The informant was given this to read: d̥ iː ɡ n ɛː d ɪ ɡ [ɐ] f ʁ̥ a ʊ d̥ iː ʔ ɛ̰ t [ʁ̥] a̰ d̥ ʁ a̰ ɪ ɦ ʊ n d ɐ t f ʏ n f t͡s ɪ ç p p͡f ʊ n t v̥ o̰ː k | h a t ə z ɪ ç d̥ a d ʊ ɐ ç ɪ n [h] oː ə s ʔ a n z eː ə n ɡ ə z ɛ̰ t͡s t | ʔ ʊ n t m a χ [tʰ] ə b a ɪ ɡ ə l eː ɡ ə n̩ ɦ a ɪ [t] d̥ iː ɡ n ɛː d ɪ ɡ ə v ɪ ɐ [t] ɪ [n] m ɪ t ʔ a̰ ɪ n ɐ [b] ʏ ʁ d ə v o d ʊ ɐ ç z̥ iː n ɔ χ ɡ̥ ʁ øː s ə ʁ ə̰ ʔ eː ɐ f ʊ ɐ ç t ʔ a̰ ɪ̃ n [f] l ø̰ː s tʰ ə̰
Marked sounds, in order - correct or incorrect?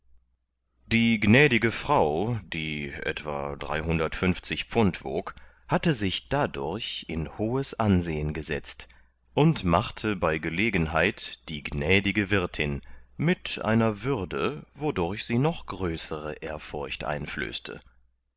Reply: incorrect: ə, incorrect: v̥, correct, correct, correct, incorrect: tʰ, correct, incorrect: v, correct

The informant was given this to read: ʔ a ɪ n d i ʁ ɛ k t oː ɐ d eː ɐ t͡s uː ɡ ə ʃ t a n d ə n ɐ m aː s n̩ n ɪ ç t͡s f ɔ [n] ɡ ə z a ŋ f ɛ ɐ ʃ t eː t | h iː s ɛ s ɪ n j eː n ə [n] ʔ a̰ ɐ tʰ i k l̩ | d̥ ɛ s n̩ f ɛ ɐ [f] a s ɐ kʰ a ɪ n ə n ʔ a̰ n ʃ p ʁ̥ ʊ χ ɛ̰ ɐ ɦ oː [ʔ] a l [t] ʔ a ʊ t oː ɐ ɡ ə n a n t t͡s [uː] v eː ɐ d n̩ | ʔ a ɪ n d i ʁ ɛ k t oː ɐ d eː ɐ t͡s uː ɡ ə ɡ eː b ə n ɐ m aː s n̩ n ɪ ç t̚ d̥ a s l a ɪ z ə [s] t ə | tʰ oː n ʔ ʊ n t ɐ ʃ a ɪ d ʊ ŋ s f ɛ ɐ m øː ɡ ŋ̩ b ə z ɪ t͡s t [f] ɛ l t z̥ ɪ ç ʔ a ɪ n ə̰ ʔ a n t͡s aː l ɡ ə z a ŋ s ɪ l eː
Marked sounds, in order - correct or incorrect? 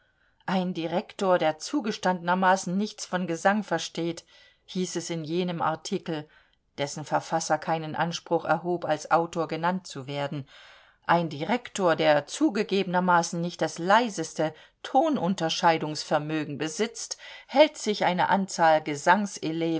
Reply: correct, incorrect: m, correct, incorrect: p, incorrect: s, incorrect: u, correct, incorrect: h

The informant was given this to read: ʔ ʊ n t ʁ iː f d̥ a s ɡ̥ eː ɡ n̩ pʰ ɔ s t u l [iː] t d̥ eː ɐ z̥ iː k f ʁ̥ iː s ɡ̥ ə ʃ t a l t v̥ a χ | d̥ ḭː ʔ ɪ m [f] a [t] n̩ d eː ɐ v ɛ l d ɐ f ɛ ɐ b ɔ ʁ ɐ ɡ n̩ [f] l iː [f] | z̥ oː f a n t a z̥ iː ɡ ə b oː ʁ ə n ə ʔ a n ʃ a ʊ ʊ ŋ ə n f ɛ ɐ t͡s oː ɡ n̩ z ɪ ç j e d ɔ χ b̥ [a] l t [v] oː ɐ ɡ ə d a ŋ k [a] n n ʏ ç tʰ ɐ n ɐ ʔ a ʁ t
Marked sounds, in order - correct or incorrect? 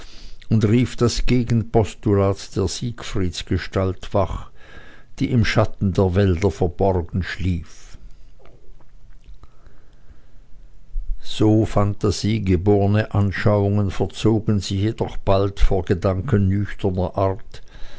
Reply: incorrect: aː, incorrect: ʃ, correct, incorrect: ʃ, correct, correct, incorrect: f, incorrect: ə

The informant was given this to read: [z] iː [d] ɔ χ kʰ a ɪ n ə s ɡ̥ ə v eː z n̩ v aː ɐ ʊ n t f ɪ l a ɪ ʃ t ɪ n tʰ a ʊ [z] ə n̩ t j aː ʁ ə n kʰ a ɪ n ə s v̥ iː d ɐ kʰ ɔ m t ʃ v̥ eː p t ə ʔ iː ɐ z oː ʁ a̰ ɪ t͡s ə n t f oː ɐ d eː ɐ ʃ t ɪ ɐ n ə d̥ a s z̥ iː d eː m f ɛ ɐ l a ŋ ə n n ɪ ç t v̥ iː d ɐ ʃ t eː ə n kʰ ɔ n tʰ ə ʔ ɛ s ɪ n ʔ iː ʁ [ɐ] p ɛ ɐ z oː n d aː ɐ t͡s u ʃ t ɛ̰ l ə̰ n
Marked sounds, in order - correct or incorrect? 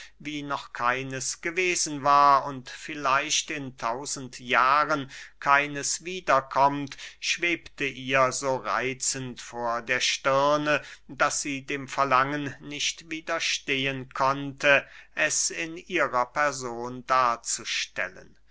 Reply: incorrect: v, incorrect: n, correct, correct

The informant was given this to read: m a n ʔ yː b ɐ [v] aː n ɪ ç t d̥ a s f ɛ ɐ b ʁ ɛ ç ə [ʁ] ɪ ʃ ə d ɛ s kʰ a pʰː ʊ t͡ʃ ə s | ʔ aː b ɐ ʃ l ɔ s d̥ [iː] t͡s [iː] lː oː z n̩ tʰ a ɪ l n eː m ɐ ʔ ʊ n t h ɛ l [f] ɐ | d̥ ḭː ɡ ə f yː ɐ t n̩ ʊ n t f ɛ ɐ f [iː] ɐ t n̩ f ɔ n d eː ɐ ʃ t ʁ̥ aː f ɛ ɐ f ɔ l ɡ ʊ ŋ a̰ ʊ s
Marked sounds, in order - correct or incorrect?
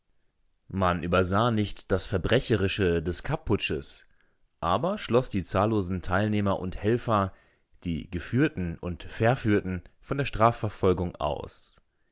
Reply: incorrect: z, correct, correct, incorrect: aː, correct, incorrect: yː

